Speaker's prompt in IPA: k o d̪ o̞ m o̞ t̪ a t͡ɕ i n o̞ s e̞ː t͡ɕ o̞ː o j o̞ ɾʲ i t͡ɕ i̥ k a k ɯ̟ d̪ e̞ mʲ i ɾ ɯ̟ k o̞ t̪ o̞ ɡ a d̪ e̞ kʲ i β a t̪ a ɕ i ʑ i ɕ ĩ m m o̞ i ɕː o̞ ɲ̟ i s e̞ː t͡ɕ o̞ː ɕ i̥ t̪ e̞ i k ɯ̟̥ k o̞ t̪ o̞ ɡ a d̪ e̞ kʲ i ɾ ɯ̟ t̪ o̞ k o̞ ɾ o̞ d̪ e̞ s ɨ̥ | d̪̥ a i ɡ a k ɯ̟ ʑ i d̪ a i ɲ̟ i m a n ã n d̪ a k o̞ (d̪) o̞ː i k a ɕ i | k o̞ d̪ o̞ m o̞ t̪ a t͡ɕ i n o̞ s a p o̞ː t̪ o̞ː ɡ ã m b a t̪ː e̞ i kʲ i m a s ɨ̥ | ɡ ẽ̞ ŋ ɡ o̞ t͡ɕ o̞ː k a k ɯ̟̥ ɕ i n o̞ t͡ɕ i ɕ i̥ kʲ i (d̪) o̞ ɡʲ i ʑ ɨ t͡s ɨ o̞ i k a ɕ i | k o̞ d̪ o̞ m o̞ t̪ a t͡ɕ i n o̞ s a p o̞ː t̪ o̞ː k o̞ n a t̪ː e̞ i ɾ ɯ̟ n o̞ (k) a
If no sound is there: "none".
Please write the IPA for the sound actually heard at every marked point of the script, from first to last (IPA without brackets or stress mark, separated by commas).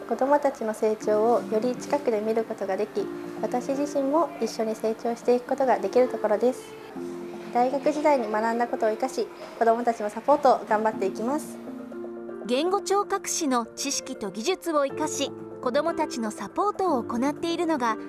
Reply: t̪, t̪, ɡ